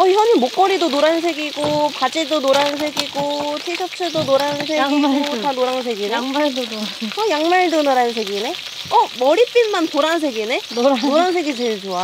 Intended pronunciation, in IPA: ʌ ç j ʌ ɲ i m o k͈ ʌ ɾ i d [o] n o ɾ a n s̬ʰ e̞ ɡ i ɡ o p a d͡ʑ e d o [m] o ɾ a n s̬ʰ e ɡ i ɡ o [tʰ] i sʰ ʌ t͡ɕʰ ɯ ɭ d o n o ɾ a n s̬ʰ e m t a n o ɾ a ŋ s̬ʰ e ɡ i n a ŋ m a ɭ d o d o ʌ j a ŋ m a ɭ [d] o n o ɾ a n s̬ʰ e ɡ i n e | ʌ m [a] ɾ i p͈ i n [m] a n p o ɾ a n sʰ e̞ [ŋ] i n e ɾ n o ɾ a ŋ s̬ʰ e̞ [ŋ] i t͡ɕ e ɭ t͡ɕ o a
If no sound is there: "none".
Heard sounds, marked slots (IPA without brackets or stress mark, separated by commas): o, n, tʰ, d, ʌ, m, ɡ, ɡ